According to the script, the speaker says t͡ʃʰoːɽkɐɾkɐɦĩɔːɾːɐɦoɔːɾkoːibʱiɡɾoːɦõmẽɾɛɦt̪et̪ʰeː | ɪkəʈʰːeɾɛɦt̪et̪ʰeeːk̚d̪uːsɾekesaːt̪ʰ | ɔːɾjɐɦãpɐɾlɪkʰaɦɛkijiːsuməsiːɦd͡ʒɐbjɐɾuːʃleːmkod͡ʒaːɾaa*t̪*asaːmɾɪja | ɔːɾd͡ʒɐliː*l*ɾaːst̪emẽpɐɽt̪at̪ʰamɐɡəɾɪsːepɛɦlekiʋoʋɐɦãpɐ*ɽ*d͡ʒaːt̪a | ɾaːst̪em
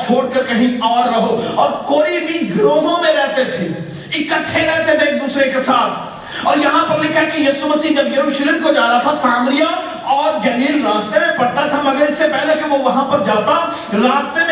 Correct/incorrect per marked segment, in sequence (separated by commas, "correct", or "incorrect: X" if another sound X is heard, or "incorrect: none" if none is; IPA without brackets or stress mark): incorrect: t̪ʰ, correct, incorrect: ɾ